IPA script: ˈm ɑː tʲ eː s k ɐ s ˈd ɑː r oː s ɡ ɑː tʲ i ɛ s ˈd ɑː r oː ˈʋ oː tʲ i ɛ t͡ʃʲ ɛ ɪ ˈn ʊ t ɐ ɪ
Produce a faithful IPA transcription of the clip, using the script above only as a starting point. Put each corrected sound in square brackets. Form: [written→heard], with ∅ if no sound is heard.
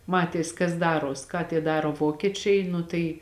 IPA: ˈm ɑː tʲ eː s k ɐ s ˈd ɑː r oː s [ɡ→k] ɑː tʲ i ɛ [s→∅] ˈd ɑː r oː ˈʋ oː [tʲ→kʲ] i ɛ t͡ʃʲ ɛ ɪ ˈn ʊ t ɐ ɪ

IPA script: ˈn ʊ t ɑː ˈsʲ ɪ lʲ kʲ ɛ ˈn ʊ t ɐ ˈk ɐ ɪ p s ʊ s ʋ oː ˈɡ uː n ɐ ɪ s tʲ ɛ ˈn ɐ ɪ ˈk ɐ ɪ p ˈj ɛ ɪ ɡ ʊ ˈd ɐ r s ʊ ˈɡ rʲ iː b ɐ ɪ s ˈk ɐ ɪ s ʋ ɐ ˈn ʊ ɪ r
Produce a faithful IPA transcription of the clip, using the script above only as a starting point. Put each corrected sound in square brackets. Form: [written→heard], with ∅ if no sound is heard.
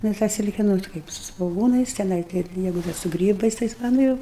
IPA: ˈn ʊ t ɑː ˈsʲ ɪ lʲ kʲ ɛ ˈn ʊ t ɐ ˈk ɐ ɪ p s ʊ s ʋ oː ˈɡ uː n ɐ ɪ s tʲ ɛ ˈn ɐ ɪ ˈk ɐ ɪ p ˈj ɛ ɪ ɡ ʊ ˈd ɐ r s ʊ ˈɡ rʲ iː b ɐ ɪ s [ˈk→ˈt] ɐ ɪ s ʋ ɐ ˈn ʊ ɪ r

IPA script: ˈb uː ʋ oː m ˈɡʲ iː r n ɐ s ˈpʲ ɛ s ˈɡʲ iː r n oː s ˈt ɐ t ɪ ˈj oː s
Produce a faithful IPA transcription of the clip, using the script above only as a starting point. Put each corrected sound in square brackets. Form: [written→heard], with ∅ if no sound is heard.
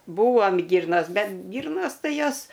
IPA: ˈb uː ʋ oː m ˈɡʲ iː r n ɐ s [ˈpʲ→ˈbʲ] ɛ [s→t] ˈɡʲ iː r n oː s ˈt ɐ [t→∅] ɪ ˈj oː s

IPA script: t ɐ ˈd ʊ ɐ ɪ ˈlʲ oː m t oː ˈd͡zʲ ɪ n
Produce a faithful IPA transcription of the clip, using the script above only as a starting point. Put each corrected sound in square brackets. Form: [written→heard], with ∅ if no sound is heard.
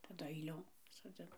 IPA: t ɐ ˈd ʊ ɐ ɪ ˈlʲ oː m [t→s] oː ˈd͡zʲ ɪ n

